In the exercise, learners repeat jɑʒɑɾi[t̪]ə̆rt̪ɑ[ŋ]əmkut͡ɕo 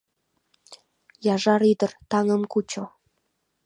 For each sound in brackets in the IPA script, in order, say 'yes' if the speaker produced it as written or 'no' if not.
no, yes

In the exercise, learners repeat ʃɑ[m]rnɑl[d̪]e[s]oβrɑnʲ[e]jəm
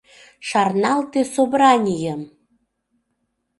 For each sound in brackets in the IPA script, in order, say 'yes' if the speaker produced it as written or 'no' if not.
no, no, yes, no

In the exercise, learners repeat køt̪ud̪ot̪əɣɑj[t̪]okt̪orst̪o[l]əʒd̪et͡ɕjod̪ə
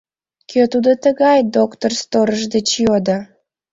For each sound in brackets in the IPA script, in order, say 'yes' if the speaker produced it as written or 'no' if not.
no, no

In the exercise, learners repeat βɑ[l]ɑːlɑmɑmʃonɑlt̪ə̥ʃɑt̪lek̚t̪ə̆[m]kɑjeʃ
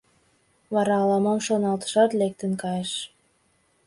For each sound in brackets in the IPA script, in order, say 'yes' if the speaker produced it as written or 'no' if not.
no, no

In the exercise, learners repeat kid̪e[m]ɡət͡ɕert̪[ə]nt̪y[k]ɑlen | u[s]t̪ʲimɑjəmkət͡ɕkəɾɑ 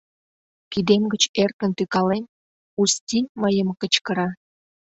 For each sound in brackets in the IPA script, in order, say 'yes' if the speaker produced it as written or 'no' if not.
yes, yes, yes, yes

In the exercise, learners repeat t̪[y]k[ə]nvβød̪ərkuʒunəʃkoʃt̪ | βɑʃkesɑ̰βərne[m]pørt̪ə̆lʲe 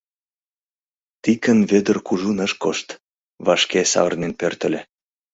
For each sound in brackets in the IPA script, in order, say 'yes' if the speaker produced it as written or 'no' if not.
no, yes, no

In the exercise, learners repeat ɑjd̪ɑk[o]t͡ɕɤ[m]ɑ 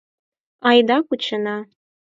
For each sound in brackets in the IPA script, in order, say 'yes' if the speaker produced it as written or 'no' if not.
no, no

